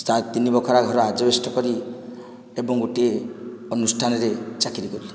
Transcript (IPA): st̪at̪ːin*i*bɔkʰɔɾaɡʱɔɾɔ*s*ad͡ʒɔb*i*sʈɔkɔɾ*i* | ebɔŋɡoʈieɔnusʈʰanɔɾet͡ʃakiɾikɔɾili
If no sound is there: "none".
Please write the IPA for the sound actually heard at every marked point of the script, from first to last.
i, none, e, i

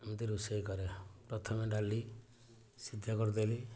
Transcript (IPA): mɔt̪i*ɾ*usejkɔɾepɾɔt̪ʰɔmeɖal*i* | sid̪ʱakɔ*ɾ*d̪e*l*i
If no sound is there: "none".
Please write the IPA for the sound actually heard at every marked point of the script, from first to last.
ɾ, i, ɾ, l

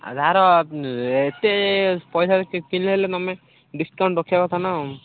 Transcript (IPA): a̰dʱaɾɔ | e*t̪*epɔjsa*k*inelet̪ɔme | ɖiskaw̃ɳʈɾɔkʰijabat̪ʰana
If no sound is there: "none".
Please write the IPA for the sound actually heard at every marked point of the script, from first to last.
t̪, k

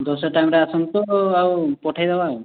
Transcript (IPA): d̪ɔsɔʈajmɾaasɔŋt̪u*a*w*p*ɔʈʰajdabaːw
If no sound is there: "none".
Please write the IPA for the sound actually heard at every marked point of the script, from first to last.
a, p

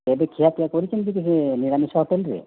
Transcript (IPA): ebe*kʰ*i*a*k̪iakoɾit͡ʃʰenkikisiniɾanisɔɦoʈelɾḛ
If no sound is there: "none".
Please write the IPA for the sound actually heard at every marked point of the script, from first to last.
kʰ, a

